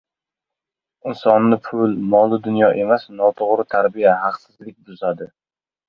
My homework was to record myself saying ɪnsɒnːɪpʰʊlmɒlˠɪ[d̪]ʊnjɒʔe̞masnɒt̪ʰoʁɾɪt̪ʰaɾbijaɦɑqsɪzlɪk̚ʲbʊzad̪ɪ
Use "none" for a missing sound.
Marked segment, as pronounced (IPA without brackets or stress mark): d̪